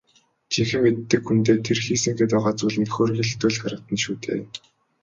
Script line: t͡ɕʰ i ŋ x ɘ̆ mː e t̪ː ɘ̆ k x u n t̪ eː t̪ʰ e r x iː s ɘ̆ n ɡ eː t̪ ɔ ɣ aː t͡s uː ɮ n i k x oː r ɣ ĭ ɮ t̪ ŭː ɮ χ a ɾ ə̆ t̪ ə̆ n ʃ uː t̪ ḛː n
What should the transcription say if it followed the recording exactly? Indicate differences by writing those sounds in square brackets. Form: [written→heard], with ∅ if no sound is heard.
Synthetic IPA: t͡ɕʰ i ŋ x ɘ̆ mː e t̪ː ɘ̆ k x u n t̪ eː t̪ʰ e r x iː s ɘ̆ [n→ŋ] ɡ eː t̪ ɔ [ɣ→ʁ] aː t͡s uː ɮ n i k x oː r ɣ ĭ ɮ t̪ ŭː ɮ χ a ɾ ə̆ t̪ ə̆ n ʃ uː t̪ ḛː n